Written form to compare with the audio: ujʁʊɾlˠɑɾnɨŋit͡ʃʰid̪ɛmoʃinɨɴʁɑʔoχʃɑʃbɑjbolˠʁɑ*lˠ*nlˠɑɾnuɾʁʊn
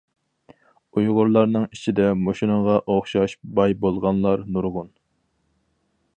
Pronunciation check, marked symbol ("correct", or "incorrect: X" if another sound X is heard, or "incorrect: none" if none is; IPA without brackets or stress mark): incorrect: none